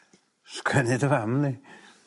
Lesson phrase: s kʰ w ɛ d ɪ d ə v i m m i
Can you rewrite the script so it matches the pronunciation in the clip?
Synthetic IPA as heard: s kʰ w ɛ n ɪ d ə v a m n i